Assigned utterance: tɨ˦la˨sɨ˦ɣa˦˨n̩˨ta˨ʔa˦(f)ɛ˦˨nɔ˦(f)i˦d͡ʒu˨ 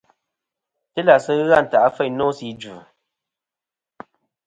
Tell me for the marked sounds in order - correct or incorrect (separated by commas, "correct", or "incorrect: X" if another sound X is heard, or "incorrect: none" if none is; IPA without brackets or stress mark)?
correct, incorrect: s